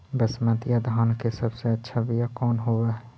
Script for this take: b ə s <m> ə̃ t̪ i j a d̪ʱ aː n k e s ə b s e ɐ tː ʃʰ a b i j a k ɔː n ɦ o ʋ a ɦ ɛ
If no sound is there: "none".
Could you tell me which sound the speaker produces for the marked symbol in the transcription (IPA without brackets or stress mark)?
m